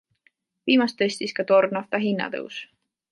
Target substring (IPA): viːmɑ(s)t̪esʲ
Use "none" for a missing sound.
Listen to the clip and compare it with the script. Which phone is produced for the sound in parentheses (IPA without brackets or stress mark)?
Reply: s